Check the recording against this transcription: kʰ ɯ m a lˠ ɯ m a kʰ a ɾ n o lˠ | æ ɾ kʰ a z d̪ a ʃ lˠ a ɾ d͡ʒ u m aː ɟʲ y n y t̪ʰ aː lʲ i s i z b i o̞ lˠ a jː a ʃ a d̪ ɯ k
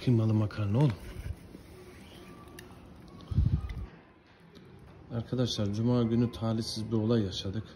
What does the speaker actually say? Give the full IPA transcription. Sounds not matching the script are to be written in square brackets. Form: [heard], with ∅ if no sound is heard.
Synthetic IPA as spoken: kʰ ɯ m a lˠ ɯ m a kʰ a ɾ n o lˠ | [a] ɾ kʰ a [∅] d̪ a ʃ lˠ a ɾ d͡ʒ u m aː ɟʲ y n y t̪ʰ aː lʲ i s i z b i o̞ lˠ a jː a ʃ a d̪ ɯ k